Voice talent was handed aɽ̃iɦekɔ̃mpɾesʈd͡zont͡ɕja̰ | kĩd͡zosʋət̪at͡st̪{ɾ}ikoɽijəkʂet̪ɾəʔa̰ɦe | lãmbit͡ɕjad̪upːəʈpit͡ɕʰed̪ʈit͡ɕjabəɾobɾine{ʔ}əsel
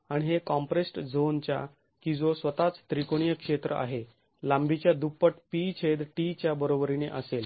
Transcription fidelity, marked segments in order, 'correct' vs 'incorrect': correct, correct

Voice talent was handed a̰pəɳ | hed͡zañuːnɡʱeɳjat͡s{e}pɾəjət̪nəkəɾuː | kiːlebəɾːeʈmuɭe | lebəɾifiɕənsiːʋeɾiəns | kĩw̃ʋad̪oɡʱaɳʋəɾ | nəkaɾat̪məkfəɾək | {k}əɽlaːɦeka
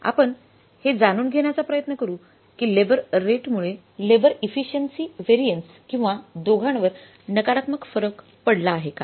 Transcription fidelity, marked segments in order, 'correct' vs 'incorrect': incorrect: a, incorrect: p

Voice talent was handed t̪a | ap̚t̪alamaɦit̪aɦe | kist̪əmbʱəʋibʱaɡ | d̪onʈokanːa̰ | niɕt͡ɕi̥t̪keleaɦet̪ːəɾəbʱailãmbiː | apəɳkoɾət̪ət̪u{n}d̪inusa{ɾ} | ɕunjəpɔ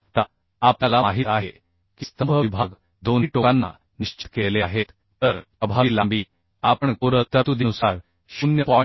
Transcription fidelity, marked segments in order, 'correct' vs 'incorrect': incorrect: none, correct

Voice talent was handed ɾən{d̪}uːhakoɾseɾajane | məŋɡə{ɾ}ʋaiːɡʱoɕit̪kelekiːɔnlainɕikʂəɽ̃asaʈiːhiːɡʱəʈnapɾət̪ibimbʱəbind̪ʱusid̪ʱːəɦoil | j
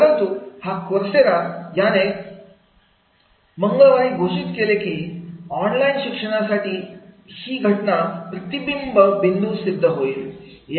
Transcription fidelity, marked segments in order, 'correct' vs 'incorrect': incorrect: t̪, incorrect: ɭ

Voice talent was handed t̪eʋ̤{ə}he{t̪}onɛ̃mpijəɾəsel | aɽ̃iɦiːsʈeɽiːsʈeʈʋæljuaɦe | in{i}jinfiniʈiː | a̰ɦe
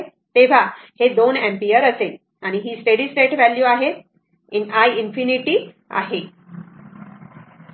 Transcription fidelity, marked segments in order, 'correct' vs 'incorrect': incorrect: a, incorrect: d̪, incorrect: a

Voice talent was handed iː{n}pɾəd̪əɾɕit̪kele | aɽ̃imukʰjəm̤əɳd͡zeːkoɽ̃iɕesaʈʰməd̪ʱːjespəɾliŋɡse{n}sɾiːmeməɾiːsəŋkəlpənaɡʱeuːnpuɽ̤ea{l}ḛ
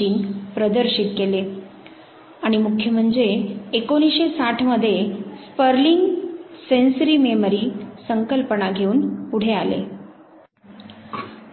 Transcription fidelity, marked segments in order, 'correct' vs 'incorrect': correct, correct, correct

